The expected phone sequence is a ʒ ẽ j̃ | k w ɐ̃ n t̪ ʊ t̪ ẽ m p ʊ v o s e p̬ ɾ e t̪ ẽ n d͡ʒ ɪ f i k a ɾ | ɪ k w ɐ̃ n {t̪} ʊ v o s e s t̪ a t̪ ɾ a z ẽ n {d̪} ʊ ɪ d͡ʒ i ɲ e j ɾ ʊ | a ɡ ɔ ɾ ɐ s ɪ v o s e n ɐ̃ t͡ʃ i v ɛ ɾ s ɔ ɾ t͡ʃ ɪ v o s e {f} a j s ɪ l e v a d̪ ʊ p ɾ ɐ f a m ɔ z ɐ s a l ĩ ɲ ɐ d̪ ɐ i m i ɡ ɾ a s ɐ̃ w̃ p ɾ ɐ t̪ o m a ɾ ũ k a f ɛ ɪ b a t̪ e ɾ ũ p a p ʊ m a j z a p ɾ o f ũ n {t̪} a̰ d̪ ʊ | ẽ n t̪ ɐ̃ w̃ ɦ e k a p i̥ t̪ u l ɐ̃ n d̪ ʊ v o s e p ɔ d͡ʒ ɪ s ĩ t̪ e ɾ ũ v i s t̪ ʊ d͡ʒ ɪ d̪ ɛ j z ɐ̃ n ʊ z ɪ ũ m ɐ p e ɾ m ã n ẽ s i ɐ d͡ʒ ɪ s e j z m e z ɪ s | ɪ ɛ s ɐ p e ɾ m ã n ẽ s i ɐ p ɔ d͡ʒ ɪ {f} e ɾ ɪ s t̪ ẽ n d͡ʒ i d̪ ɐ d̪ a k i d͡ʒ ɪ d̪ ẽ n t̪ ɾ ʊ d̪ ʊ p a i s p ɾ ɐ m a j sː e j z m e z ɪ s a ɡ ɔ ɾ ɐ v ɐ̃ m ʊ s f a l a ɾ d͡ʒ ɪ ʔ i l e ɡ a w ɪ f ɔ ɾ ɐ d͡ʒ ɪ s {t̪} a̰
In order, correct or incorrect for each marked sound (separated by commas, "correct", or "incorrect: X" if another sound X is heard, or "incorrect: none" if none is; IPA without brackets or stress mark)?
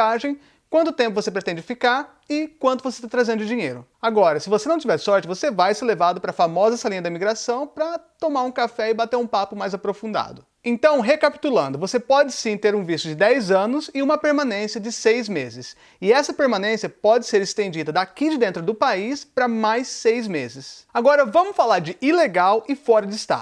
correct, correct, incorrect: v, incorrect: d̪, incorrect: s, correct